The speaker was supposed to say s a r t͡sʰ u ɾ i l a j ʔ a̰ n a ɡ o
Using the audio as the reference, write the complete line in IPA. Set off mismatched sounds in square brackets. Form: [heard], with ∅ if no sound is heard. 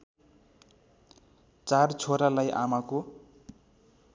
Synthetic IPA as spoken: [t͡s] a r t͡sʰ [o] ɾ [a] l a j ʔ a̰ [m] a [k] o